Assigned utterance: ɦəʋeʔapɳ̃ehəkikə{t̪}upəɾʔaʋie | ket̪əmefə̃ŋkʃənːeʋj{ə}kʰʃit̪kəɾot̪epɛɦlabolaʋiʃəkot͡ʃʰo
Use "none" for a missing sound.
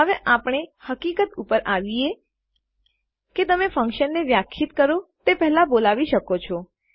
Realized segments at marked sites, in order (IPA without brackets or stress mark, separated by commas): t̪, a